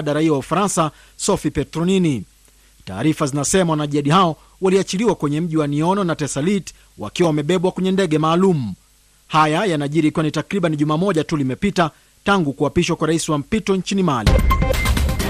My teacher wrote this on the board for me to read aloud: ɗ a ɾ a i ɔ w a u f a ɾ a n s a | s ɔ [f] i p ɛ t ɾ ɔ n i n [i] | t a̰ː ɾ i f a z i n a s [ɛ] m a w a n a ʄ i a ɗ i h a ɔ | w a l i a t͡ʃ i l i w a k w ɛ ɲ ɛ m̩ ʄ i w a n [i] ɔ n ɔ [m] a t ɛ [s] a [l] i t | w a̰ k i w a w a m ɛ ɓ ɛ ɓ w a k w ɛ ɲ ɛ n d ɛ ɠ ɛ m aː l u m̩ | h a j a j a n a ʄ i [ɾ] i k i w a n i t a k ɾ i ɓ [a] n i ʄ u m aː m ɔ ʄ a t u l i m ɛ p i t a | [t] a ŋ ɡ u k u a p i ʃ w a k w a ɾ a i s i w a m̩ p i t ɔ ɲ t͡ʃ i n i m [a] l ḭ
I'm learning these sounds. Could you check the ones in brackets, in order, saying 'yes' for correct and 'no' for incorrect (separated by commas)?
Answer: yes, yes, yes, yes, no, yes, yes, yes, yes, yes, yes